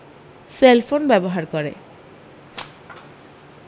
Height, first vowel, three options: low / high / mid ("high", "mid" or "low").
mid